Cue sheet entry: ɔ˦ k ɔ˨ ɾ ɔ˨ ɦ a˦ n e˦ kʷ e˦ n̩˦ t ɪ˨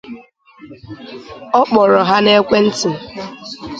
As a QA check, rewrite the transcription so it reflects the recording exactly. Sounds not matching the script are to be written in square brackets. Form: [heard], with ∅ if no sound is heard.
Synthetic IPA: ɔ˦ [k͡p] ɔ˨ ɾ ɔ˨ ɦ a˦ n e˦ kʷ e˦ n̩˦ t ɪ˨